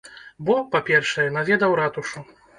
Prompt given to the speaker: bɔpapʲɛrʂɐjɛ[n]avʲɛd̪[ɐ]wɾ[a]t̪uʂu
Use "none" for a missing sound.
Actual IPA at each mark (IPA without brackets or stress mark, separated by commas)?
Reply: n, ɐ, a